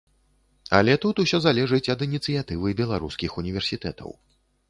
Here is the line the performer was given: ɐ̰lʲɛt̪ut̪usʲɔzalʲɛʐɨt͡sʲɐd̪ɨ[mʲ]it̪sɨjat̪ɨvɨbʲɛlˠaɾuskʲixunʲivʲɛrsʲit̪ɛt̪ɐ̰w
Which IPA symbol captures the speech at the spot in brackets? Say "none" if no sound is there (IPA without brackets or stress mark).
nʲ